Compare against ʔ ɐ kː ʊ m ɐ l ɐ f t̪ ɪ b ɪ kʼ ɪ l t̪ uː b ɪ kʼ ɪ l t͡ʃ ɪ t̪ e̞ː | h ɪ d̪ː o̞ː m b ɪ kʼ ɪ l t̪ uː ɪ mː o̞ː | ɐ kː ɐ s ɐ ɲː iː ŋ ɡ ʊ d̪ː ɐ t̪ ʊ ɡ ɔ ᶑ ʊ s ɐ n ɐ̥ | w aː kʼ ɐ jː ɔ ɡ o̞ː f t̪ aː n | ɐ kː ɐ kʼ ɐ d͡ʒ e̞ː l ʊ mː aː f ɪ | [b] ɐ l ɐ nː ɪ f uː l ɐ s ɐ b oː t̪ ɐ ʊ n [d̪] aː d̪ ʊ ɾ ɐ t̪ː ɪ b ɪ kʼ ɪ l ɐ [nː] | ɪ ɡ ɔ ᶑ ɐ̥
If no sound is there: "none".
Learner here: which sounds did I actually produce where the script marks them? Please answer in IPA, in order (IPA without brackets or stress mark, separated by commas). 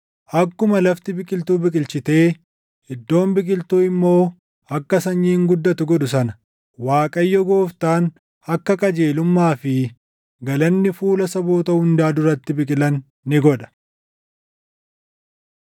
ɡ, d̪, nː